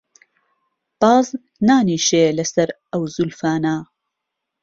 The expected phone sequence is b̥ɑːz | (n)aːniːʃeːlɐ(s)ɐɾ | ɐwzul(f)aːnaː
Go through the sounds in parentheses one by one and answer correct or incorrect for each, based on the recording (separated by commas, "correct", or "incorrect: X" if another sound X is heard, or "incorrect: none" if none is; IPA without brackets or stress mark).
correct, correct, correct